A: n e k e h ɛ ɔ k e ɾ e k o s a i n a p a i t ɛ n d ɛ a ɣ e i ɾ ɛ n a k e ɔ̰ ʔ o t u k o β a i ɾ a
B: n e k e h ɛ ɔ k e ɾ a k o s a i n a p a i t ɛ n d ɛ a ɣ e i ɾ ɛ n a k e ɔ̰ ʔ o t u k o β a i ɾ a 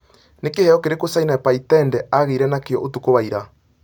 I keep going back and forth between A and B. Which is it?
A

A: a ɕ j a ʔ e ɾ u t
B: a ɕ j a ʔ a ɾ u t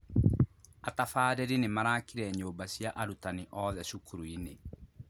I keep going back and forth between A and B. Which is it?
B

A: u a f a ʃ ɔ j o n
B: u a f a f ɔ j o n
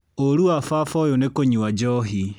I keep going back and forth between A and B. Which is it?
B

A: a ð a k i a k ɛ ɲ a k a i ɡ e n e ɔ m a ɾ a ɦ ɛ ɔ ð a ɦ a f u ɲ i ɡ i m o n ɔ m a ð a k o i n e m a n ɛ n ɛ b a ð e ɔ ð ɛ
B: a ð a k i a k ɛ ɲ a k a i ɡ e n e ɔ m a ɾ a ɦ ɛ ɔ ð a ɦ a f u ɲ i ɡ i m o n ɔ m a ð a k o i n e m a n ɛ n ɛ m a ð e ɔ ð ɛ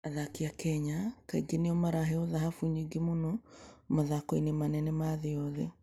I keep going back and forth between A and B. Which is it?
B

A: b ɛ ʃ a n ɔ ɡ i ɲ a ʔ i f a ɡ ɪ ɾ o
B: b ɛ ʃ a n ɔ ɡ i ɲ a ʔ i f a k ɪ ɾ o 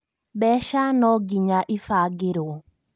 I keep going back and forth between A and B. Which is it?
A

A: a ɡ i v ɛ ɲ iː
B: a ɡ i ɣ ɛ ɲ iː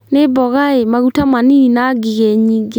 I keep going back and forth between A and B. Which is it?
B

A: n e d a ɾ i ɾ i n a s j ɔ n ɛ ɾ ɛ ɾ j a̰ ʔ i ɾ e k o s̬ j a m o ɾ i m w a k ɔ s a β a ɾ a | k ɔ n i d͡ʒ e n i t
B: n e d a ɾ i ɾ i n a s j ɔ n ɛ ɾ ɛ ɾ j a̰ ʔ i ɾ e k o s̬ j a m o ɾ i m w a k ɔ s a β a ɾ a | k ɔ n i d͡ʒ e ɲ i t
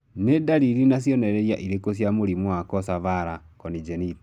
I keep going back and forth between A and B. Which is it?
A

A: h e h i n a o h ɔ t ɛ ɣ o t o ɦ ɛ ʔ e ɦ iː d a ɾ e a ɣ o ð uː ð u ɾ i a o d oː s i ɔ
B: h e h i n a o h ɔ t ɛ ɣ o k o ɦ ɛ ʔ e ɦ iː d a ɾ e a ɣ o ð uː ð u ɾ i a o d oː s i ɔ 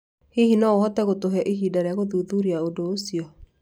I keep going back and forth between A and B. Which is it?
A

